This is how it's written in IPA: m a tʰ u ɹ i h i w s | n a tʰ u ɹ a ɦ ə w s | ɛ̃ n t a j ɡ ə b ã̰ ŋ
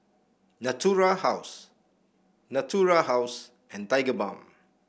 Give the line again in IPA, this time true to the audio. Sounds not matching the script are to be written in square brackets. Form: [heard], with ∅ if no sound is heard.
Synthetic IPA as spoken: [n] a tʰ u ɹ [a] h [a] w s | n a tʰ u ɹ a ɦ [a] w s | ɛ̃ n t a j ɡ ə b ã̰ [m]